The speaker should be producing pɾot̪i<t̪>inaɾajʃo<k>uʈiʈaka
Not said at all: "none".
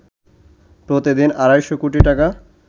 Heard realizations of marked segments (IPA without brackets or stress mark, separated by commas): d̪, k